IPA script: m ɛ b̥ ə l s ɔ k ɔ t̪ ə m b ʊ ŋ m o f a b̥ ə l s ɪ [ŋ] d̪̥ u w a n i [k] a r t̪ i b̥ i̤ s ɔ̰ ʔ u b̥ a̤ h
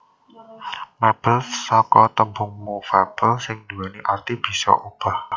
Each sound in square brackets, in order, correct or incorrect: correct, incorrect

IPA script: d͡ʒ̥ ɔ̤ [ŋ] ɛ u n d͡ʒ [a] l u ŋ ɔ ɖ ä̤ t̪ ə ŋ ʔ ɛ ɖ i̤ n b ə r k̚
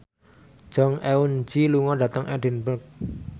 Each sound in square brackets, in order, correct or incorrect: correct, incorrect

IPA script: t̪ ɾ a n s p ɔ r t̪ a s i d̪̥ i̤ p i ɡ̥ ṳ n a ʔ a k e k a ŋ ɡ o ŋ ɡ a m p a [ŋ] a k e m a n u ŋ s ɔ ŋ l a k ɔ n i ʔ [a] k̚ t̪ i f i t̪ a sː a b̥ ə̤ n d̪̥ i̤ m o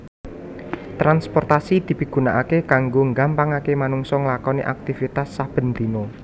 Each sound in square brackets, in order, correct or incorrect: correct, correct

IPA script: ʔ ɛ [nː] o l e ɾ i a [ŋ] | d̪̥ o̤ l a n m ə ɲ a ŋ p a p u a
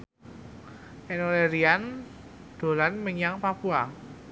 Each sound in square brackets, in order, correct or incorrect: incorrect, incorrect

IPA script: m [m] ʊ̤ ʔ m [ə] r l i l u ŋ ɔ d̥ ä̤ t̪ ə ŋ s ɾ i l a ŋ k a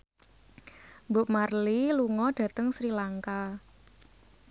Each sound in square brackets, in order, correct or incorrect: incorrect, incorrect

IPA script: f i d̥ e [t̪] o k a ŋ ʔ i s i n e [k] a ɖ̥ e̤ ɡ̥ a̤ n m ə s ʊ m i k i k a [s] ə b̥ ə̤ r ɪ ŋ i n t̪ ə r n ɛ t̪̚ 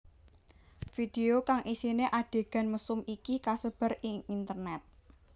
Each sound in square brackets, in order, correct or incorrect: incorrect, incorrect, correct

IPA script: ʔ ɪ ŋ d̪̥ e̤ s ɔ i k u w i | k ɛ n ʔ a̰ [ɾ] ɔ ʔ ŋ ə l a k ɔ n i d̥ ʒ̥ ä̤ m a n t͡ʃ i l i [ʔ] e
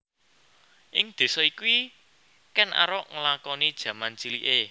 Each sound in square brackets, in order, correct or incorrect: correct, correct

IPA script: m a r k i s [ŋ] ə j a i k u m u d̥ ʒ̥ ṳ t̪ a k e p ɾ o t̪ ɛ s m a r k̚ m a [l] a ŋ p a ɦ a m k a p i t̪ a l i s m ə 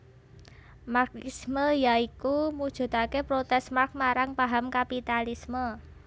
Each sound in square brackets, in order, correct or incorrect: incorrect, incorrect

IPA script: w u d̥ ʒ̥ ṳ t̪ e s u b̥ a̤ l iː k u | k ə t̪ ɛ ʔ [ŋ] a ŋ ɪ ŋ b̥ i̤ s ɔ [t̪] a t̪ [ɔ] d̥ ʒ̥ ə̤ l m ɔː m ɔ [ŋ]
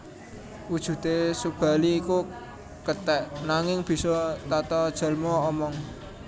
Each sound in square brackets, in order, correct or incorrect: incorrect, correct, correct, correct

